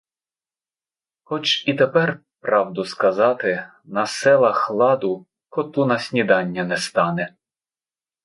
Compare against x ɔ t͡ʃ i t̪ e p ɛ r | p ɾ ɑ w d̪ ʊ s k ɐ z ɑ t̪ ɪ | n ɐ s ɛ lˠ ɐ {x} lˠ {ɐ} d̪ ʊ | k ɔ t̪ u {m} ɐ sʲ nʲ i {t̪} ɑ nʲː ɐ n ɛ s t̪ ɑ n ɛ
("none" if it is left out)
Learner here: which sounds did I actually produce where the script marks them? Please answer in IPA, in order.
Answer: x, ɑ, n, d̪

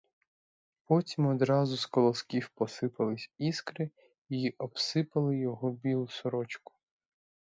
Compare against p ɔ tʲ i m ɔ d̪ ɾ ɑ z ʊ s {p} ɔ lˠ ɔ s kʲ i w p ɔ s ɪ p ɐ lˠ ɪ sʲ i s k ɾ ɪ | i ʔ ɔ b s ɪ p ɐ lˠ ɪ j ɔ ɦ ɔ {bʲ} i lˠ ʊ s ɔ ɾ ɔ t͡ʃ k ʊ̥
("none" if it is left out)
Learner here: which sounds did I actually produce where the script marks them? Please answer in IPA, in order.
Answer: k, bʲ

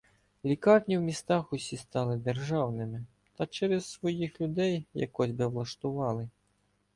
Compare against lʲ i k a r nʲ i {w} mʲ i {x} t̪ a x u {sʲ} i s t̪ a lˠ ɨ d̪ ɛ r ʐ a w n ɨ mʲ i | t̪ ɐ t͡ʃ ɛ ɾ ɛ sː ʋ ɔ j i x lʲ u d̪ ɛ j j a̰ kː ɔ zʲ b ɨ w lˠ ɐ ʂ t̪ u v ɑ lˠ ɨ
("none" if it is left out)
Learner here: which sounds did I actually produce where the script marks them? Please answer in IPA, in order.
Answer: w, s, sʲ

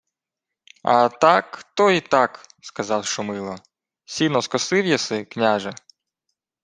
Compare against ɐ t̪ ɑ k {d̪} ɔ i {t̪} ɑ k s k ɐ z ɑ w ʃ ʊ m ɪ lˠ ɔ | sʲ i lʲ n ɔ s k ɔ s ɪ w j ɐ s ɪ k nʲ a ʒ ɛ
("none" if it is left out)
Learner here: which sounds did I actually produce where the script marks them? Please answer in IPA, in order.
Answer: t̪, t̪

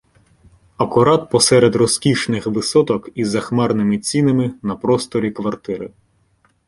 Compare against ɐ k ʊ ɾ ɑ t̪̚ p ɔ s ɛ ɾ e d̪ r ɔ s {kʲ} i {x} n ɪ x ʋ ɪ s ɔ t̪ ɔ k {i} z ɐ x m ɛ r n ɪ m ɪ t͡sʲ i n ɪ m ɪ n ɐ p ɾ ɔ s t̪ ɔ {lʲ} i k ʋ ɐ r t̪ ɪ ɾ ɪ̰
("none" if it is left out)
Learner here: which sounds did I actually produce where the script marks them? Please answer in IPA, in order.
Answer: kʲ, ʃ, i, ɾʲ

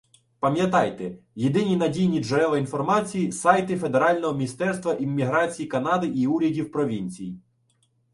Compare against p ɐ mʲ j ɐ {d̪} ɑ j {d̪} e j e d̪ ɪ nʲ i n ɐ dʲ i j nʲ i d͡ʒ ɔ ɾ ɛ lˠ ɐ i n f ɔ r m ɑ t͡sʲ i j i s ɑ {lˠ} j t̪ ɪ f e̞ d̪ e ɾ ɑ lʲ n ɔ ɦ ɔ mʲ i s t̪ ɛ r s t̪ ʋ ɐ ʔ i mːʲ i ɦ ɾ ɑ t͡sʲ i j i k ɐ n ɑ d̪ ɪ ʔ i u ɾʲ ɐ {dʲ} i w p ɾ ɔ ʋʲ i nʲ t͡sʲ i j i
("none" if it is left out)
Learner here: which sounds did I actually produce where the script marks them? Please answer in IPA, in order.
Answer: t̪, t̪, none, dʲ

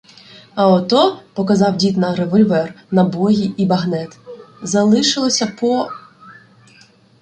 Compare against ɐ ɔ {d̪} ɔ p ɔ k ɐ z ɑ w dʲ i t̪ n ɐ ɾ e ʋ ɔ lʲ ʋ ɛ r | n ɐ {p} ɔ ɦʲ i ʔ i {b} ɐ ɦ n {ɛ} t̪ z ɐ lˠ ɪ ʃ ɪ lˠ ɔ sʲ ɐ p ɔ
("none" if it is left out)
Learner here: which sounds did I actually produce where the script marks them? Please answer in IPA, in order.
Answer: t̪, b, b, ɛ

